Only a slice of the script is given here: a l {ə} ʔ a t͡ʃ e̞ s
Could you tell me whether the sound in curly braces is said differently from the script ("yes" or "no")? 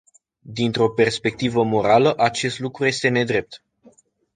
no